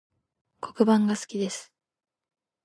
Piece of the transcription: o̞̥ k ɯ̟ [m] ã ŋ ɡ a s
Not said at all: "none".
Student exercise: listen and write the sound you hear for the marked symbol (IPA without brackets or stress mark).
b